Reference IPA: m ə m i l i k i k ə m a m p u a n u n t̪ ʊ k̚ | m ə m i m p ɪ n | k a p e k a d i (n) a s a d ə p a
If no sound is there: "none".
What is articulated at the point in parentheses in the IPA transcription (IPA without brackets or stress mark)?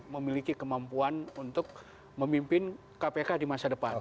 m